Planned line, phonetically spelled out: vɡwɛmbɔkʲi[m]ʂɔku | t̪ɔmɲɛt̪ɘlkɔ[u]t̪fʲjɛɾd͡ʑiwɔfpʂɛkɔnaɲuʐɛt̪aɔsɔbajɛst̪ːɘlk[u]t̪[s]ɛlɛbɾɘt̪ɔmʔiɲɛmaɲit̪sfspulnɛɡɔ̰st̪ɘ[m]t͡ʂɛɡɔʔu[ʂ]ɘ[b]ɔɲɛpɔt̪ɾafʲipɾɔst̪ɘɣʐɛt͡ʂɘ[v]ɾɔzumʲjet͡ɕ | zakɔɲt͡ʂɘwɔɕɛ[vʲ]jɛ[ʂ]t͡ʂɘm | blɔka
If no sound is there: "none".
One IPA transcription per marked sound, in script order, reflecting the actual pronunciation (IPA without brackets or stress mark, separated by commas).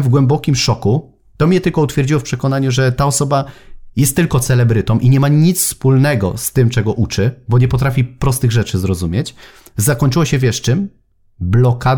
m, u, ɔ, s, m, t͡ʂ, b, z, vʲ, ʂ